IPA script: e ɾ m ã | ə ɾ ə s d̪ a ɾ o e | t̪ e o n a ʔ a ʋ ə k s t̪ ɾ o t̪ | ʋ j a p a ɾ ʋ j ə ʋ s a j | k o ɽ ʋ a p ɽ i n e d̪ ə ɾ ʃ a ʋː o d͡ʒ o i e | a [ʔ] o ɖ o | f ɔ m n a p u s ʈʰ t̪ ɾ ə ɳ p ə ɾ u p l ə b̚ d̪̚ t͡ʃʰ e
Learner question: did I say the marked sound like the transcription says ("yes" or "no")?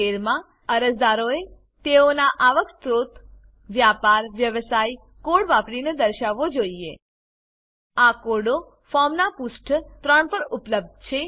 no